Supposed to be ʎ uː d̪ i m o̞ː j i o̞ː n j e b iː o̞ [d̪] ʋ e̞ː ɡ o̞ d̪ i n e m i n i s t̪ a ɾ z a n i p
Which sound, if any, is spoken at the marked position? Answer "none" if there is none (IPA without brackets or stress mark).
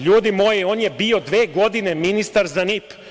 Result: d̪